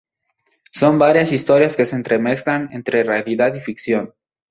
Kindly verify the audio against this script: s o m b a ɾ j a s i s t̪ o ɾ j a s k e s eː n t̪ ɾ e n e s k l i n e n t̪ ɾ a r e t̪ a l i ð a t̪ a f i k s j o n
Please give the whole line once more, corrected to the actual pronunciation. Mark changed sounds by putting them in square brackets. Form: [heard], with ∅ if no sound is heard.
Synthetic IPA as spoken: s o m b a ɾ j a s i s t̪ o ɾ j a s k e s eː n t̪ ɾ e [m] e s k l [a] n e n t̪ ɾ [e] r e [∅] a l i ð a t̪ [i] f i k s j o n

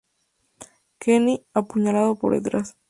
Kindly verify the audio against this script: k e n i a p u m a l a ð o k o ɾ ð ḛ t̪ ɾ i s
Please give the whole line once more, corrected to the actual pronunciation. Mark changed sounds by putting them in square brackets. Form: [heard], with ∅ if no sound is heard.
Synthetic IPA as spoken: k e n i a p u [ɲ] a l a ð o [p] o ɾ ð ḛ t̪ ɾ [a] s

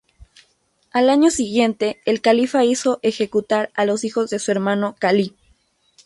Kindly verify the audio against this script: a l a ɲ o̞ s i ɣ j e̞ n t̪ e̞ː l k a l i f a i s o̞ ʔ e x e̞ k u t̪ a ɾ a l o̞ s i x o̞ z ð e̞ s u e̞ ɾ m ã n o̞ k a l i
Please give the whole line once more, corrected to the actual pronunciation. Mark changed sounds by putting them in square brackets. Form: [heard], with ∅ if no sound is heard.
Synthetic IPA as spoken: a l a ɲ o̞ s i ɣ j e̞ n t̪ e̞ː l k a l i f a i s o̞ ʔ e x e̞ k u t̪ a ɾ a l o̞ s i x o̞ z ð e̞ s u e̞ ɾ m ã n o̞ k a l i

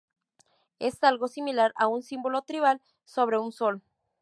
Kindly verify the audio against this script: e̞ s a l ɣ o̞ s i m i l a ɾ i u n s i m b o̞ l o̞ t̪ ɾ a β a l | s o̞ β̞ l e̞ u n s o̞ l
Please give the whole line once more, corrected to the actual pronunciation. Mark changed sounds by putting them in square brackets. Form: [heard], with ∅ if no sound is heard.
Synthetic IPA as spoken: e̞ s a l ɣ o̞ s i m i l a ɾ [a] u n s i m b o̞ l o̞ t̪ ɾ [i] β a l | s o̞ β̞ [ɾ] e̞ u n s o̞ l

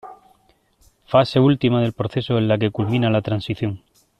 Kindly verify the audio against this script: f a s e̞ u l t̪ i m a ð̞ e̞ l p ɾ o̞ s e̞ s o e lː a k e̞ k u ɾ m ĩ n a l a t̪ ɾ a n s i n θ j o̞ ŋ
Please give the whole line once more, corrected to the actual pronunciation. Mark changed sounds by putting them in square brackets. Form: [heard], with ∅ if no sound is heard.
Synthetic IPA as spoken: f a s e̞ u l t̪ i m a ð̞ e̞ l p ɾ o̞ [θ] e̞ s o e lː a k e̞ k u [l] m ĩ n a l a t̪ ɾ a n s i [∅] θ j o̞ ŋ

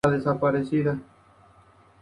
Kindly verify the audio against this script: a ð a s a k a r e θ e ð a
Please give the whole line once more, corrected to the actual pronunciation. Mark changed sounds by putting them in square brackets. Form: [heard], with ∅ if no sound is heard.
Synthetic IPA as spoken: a ð [e] s a [p] a [ɾ] e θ [i] ð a

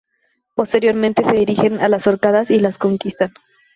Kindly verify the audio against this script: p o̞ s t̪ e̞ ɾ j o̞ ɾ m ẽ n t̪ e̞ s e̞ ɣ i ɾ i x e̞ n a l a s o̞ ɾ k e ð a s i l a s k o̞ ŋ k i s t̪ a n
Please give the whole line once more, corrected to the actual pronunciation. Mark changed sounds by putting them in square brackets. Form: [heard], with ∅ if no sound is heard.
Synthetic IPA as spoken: p o̞ s t̪ e̞ ɾ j o̞ ɾ m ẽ n t̪ e̞ s e̞ [ð] i ɾ i x e̞ n a l a s o̞ ɾ k [a] ð a s i l a s k o̞ ŋ k i s t̪ a n

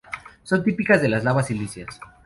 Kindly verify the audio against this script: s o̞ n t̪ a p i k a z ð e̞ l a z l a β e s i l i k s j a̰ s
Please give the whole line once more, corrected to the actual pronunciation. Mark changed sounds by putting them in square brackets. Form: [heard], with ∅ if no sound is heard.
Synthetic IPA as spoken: s o̞ n t̪ [i] p i k a z ð e̞ l a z l a β [a] s i l i [∅] s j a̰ s

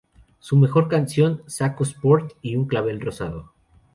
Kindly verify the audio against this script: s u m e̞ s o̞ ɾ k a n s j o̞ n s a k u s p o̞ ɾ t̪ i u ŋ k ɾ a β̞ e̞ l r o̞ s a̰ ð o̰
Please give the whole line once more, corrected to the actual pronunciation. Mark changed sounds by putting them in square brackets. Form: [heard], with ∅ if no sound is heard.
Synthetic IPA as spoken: s u m e̞ [x] o̞ ɾ k a n s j o̞ n s a k [o] s p o̞ ɾ t̪ i u ŋ k [l] a β̞ e̞ l r o̞ s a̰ ð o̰

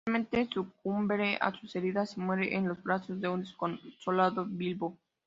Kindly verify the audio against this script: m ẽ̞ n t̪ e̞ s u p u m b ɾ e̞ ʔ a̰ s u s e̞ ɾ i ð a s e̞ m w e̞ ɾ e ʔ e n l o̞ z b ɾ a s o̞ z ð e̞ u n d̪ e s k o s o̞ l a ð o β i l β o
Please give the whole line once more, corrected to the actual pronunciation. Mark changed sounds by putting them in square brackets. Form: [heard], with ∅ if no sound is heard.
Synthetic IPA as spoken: m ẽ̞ n t̪ e̞ s u [k] u m b ɾ e̞ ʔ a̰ s u s e̞ ɾ i ð a s e̞ m w e̞ ɾ e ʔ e n l o̞ z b ɾ a s o̞ z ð e̞ u n d̪ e s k o s o̞ l a ð o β i l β o

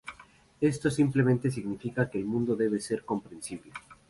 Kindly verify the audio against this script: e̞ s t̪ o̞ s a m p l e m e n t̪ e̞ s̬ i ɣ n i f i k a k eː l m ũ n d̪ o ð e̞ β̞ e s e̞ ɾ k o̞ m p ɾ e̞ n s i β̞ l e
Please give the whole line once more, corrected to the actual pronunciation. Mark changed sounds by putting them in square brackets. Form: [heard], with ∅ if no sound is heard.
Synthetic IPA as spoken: e̞ s t̪ o̞ s [i] m p l e m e n t̪ e̞ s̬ i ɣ n i f i k a k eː l m ũ n d̪ o ð e̞ β̞ e s e̞ ɾ k o̞ m p ɾ e̞ n s i β̞ l e

